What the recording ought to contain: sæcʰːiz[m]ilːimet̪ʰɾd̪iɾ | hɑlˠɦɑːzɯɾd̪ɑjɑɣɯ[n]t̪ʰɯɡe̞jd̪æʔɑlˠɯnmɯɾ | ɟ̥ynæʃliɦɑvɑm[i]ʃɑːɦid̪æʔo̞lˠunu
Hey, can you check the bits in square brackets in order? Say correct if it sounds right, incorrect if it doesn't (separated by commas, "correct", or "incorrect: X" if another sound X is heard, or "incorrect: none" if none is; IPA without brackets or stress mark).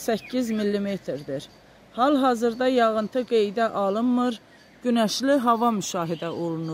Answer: correct, correct, incorrect: y